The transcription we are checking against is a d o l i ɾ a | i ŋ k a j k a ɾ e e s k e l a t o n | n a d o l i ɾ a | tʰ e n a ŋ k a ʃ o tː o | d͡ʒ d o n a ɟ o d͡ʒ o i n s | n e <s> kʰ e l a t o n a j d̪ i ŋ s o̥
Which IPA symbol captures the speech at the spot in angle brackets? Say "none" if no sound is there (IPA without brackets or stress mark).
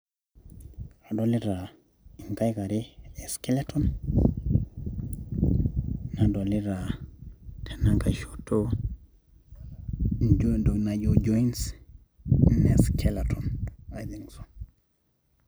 s